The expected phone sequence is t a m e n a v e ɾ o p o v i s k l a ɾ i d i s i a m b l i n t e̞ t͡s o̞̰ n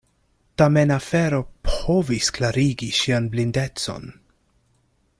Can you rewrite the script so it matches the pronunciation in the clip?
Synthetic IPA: t a m e n a f e ɾ o p o v i s k l a ɾ i ɡ i ʃ i a n b l i n d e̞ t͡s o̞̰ n